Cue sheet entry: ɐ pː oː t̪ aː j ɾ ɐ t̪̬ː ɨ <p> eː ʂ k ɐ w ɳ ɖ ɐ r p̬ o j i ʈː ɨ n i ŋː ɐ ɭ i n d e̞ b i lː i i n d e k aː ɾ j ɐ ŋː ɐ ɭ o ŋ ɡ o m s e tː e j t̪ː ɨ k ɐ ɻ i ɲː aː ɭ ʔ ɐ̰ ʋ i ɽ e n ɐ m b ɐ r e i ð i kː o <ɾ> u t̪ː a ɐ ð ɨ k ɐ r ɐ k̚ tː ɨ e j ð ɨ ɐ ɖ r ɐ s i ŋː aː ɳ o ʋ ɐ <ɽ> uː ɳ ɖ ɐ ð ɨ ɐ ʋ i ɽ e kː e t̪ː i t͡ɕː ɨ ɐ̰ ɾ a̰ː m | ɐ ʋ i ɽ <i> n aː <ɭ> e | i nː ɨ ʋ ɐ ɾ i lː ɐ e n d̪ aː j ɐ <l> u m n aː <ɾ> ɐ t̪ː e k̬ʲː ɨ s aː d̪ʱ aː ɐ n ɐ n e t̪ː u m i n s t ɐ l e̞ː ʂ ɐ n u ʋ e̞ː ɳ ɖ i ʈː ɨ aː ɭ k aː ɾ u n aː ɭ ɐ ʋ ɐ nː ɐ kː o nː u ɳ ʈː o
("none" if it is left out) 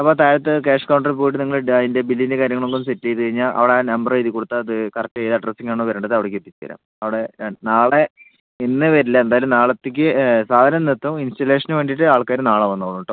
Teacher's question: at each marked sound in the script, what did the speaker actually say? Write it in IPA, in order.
k, ɽ, ɾ, e, ɭ, l, ɭ

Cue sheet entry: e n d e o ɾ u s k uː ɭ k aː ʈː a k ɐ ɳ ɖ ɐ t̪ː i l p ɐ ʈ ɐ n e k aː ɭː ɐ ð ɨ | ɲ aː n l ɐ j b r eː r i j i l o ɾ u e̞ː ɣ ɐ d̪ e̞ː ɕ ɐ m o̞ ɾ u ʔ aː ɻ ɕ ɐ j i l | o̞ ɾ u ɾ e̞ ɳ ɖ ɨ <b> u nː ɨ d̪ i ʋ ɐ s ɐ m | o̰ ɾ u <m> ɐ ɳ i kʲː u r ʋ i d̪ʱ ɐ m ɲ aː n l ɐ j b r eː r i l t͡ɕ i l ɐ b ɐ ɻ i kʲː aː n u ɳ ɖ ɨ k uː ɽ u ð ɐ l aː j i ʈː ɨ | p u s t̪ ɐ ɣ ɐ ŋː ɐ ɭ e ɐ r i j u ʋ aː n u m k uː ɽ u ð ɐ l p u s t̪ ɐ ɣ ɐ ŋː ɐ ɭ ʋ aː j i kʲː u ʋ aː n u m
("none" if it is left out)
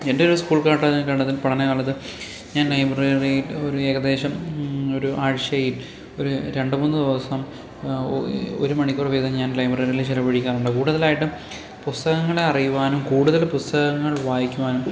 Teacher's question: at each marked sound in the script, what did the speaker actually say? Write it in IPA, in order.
m, m

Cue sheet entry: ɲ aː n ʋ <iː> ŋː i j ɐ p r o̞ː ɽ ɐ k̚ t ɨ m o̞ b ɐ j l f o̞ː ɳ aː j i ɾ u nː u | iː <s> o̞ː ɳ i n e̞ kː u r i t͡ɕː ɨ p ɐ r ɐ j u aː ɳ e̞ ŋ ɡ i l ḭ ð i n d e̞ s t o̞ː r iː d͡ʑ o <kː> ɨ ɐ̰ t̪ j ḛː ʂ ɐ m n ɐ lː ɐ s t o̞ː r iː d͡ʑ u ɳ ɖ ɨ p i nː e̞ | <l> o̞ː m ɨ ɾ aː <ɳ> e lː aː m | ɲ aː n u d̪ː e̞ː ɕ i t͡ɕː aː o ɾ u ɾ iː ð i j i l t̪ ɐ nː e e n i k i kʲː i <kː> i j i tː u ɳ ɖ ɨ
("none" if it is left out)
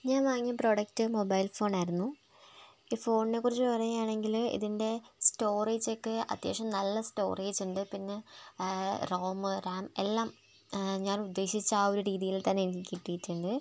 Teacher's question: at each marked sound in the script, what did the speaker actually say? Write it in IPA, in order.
aː, f, kː, r, m, ʈː

